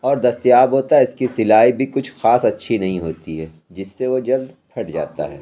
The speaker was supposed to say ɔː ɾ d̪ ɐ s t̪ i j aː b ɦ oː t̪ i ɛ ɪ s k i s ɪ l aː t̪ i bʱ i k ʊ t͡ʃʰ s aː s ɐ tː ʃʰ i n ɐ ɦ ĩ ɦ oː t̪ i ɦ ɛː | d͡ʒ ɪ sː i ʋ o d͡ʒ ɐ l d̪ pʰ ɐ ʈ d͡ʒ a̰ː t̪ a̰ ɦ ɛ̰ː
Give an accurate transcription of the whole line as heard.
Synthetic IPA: ɔː ɾ d̪ ɐ s t̪ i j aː b ɦ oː t̪ a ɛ ɪ s k i s ɪ l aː i bʱ i k ʊ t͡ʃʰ x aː s ɐ tː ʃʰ i n ɐ ɦ ĩ ɦ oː t̪ i ɦ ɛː | d͡ʒ ɪ sː e ʋ o d͡ʒ ɐ l d̪ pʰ ɐ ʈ d͡ʒ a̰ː t̪ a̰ ɦ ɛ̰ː